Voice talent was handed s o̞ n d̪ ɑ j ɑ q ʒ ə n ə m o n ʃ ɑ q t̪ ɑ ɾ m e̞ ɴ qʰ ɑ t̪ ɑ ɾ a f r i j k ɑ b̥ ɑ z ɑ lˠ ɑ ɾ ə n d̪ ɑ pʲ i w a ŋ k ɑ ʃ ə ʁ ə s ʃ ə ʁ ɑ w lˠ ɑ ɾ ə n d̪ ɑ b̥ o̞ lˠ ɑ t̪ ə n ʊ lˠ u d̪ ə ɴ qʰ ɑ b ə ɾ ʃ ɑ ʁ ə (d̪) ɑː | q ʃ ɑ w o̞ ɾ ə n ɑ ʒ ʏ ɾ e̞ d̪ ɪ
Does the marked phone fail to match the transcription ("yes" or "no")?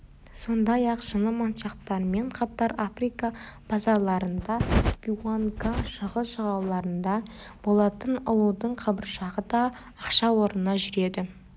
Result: no